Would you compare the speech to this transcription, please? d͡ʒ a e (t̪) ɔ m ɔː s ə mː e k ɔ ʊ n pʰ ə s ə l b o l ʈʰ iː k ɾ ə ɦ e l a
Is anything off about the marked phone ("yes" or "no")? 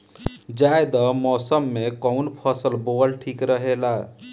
yes